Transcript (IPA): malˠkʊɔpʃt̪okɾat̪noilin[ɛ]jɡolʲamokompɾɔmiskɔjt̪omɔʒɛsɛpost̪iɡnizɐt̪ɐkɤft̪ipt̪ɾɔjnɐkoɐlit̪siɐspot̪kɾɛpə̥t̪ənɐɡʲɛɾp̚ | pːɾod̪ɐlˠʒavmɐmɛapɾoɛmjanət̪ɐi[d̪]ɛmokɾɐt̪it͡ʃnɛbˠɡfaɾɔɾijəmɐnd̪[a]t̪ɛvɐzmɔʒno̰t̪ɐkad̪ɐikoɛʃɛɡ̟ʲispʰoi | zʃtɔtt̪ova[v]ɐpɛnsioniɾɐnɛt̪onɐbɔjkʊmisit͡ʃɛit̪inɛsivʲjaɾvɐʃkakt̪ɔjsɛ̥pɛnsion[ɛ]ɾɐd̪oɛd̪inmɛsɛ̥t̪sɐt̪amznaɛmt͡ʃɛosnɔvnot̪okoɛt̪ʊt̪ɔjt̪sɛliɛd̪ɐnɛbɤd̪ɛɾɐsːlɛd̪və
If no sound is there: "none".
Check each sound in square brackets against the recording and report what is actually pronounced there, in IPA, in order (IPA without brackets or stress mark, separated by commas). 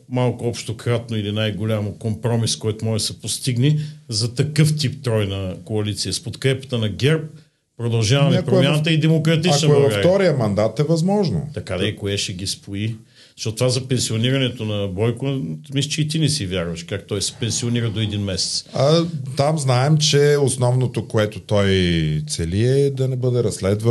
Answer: a, d̪, a, z, i